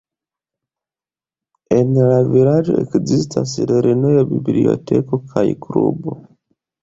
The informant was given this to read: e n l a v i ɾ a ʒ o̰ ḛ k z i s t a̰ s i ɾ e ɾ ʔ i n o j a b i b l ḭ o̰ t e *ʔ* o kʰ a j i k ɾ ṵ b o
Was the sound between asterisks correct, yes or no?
no